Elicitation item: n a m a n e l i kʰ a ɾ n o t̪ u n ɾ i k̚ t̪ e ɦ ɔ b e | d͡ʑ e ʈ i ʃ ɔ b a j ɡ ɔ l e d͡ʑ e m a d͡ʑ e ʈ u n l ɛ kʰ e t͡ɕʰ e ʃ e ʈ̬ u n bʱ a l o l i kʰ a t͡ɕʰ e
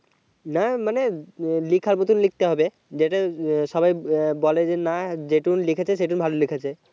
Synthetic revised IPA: n a m a n e l i kʰ a ɾ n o t̪ u n l i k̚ t̪ e ɦ ɔ b e | d͡ʑ e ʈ a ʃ ɔ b a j b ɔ l e d͡ʑ e n a d͡ʑ e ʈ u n l i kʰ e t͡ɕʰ e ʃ e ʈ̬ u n bʱ a l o l i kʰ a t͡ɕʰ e